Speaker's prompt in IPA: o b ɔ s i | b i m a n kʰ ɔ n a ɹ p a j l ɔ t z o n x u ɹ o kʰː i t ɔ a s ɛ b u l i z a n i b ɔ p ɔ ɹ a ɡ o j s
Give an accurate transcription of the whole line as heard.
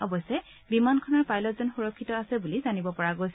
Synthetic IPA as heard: ɔ b ɔ s ɛ | b i m a n kʰ ɔ n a ɹ p a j l ɔ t z ɔ n x u ɹ ɔ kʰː i t ɔ a s ɛ b u l i z a n i b ɔ p ɔ ɹ a ɡ o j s